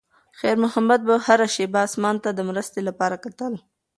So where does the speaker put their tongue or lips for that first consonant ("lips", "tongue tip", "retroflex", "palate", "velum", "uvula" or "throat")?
velum